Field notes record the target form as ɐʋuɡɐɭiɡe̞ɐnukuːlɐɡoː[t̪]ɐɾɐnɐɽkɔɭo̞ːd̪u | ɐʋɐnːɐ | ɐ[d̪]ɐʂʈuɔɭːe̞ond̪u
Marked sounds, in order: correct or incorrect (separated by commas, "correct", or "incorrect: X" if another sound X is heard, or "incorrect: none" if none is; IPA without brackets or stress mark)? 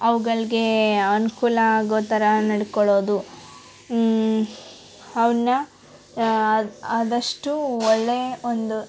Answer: correct, correct